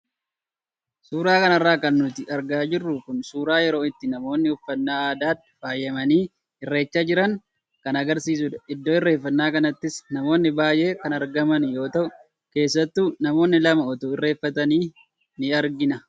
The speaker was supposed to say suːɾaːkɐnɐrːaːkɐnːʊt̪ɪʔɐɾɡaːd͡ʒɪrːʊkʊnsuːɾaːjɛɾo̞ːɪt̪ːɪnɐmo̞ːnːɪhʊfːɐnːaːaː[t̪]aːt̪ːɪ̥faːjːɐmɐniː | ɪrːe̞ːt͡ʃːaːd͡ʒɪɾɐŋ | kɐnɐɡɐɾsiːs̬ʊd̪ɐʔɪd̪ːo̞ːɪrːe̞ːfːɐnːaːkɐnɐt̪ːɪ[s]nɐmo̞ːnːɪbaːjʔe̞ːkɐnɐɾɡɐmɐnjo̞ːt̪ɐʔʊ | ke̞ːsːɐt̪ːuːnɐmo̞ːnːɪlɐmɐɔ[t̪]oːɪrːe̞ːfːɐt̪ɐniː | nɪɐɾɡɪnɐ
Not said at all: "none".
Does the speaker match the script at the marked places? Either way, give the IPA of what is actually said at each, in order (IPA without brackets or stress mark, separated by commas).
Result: d̪, s, t̪